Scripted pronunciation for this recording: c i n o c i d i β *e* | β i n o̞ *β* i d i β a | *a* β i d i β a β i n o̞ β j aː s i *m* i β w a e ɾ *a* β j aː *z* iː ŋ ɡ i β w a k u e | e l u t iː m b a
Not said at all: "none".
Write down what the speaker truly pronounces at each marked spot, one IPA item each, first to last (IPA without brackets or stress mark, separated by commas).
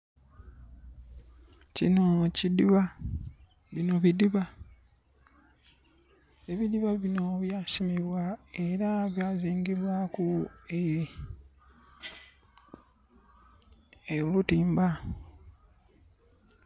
a, β, e, m, a, z